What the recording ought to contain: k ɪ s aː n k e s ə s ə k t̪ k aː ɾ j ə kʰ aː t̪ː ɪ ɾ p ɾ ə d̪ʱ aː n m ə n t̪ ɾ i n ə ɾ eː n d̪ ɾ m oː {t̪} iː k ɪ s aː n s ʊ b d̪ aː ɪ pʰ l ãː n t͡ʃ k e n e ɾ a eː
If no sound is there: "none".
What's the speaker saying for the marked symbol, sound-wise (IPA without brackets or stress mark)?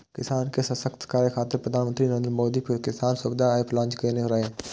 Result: d̪